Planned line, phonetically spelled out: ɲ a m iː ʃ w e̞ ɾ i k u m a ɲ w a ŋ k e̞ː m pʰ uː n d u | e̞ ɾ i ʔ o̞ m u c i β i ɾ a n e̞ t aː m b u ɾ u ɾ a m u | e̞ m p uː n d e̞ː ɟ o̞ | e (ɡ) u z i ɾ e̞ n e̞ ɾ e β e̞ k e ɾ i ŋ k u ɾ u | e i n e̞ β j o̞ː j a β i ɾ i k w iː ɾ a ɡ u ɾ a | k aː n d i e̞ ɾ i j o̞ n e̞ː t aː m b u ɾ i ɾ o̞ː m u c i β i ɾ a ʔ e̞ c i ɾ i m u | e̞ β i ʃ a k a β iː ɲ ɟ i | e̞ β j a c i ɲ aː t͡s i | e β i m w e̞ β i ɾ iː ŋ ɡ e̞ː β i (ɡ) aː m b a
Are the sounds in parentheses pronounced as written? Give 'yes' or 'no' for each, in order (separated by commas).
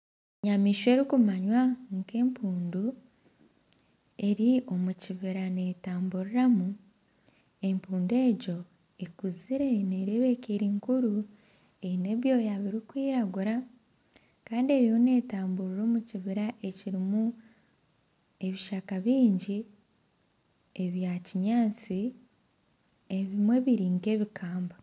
no, no